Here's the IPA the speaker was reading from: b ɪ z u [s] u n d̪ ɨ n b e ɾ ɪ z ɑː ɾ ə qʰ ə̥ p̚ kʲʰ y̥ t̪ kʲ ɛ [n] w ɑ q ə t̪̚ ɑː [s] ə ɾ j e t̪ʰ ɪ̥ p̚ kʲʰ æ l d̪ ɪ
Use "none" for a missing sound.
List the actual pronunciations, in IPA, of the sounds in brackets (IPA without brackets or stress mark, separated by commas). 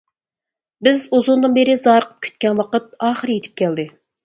z, n, χ